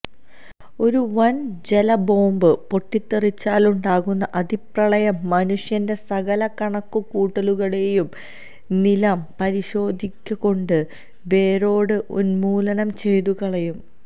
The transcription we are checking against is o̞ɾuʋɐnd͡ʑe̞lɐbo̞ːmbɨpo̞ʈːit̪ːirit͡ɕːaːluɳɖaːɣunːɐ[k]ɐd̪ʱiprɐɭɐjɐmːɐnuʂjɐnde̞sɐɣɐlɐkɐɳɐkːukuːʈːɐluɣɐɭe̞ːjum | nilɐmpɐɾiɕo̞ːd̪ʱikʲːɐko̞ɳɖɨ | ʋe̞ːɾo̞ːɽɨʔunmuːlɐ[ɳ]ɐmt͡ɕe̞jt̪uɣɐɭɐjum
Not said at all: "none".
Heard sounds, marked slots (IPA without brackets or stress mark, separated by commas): ʔ, n